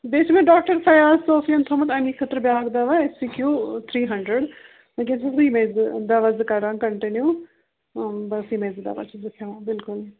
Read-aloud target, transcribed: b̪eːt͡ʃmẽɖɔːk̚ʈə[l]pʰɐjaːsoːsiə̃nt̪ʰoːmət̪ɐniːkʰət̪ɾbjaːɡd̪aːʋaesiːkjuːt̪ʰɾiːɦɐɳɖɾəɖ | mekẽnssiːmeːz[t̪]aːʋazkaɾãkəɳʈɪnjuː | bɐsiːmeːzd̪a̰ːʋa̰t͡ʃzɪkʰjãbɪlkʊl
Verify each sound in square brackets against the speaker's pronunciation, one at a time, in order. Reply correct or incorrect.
incorrect, incorrect

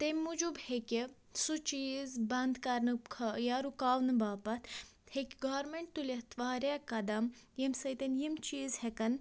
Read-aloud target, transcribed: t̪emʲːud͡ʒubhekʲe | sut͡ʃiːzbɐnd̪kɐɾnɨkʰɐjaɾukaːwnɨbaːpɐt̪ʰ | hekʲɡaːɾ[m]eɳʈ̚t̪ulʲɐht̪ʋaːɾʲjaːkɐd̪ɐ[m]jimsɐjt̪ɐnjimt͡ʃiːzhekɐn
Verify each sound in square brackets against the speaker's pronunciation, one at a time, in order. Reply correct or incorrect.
correct, correct

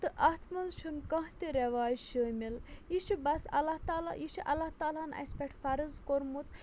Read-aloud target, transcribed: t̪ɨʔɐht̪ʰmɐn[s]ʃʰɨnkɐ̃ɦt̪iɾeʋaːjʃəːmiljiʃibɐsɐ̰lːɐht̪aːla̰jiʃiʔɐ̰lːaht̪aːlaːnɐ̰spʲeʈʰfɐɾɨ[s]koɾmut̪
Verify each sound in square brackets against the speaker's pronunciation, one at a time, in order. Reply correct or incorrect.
incorrect, incorrect

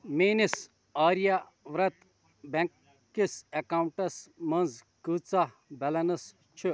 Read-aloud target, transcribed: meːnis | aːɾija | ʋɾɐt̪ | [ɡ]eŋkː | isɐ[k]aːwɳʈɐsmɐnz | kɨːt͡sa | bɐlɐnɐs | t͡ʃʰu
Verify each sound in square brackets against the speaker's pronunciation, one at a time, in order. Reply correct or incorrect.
incorrect, correct

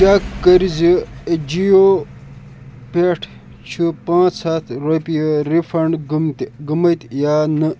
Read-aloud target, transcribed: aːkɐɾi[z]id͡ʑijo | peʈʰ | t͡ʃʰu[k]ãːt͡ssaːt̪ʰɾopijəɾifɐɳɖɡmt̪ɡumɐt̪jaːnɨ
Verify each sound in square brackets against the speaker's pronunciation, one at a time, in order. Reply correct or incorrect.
correct, incorrect

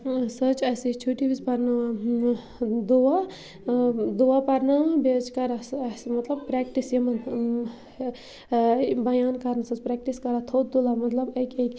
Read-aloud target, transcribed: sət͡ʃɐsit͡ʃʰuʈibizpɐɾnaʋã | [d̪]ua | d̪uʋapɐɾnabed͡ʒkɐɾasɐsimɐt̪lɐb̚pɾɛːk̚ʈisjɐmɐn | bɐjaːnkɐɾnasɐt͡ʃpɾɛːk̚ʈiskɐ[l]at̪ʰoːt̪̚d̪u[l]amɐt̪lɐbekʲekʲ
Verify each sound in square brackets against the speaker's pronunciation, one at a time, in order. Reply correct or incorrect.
correct, incorrect, correct

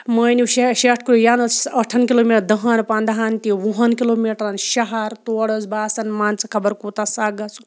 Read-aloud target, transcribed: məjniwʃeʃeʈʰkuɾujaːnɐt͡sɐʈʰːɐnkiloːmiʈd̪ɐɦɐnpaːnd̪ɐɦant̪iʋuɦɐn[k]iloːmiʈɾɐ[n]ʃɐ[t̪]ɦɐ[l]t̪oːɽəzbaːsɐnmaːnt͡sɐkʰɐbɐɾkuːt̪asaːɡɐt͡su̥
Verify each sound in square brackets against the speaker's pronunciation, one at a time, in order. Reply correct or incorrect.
correct, correct, incorrect, incorrect

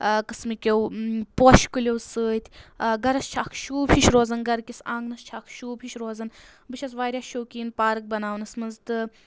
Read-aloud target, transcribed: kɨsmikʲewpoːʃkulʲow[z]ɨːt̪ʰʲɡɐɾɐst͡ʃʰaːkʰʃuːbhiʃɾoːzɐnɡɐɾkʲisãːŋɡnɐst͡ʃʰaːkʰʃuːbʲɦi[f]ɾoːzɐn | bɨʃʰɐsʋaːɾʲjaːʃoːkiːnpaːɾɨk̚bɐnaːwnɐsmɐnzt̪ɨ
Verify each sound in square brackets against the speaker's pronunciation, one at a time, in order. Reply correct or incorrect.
incorrect, incorrect

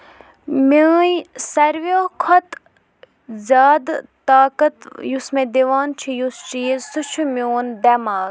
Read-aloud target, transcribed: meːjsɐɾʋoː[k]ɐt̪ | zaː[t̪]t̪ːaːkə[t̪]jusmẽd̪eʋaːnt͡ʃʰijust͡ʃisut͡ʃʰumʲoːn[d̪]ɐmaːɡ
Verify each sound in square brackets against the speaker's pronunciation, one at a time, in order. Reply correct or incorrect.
incorrect, incorrect, correct, correct

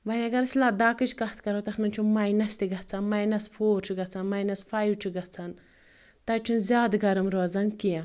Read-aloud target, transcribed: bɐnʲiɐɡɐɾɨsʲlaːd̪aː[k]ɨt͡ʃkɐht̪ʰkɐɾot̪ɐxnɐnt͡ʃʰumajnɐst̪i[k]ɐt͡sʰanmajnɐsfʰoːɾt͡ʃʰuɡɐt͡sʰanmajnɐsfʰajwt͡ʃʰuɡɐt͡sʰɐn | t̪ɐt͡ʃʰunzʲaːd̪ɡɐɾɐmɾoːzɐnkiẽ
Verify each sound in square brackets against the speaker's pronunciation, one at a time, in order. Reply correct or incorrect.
correct, incorrect

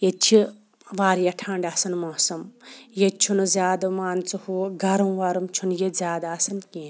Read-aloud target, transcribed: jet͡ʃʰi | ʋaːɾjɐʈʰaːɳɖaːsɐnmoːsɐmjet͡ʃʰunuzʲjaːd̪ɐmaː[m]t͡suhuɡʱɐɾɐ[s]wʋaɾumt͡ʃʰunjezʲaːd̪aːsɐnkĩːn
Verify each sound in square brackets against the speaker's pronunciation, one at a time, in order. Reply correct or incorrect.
incorrect, incorrect

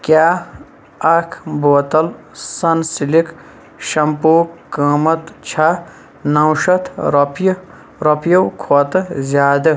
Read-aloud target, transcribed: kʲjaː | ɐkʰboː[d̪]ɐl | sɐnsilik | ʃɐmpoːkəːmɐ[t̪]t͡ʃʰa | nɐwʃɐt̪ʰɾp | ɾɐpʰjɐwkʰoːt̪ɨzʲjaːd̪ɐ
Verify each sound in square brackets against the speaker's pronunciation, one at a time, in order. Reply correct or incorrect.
incorrect, correct

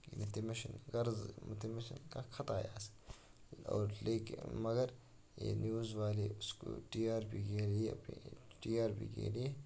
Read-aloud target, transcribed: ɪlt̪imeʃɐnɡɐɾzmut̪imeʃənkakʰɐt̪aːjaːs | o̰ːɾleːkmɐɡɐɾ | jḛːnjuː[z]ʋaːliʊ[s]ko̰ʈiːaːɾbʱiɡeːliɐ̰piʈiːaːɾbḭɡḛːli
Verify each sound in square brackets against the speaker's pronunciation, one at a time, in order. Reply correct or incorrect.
correct, correct

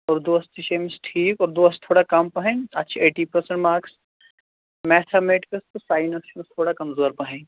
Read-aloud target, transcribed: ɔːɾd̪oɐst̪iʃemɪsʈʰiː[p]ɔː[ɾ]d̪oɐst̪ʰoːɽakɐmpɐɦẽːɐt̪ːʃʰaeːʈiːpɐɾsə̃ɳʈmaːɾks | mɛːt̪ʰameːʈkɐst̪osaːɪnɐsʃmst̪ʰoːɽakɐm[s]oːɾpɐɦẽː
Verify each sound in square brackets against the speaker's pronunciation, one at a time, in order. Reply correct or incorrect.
incorrect, correct, incorrect

